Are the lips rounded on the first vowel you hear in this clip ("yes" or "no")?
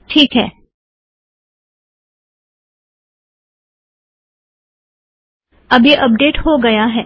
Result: no